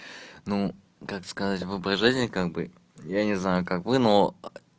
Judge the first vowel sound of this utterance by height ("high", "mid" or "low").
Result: high